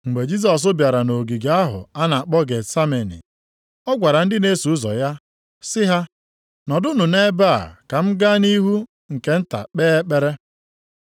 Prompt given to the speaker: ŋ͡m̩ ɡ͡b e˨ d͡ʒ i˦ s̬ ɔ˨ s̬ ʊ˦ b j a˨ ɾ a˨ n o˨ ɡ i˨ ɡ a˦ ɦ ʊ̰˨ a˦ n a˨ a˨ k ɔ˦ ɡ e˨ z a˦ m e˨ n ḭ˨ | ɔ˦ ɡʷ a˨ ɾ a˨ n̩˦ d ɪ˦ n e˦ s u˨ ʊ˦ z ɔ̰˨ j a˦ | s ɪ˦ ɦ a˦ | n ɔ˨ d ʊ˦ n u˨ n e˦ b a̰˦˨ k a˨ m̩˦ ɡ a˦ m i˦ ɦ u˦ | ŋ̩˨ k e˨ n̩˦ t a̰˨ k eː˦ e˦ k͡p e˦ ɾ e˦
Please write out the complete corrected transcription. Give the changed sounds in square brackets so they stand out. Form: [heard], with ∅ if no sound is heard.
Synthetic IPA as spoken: ŋ͡m̩ ɡ͡b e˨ d͡ʒ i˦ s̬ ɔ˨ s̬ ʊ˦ b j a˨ ɾ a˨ n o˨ ɡ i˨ ɡ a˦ ɦ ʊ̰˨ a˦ n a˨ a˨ [k͡p] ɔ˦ ɡ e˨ [s] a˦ m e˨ n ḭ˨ | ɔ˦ ɡʷ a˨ ɾ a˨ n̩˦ d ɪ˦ n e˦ s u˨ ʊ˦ z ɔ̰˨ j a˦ | s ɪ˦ ɦ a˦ | n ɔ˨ d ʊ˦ n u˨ n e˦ b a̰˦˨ k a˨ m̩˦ ɡ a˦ [n] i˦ ɦ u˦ | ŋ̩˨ k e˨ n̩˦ t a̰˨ [k͡p] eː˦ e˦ k͡p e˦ ɾ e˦